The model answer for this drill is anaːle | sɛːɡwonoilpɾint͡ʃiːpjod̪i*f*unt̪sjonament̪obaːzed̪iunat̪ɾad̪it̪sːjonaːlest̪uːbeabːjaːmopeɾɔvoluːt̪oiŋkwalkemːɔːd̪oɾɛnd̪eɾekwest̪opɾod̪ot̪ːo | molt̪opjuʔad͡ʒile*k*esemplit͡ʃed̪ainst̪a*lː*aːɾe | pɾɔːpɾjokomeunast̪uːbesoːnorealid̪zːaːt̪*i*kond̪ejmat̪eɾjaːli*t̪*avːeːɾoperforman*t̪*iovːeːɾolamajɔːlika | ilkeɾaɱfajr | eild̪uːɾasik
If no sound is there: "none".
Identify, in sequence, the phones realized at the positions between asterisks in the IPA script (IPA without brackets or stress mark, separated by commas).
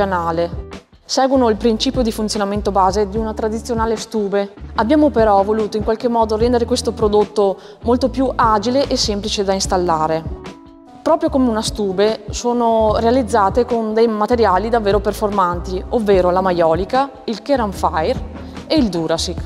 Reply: f, ʔ, lː, e, d̪, t̪